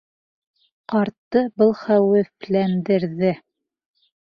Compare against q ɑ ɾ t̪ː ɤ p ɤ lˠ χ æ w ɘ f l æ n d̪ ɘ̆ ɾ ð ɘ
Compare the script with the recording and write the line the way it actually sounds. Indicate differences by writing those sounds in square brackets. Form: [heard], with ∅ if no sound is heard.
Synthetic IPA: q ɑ ɾ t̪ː ɤ [b] ɤ lˠ χ æ w ɘ f l æ n d̪ ɘ̆ ɾ ð ɘ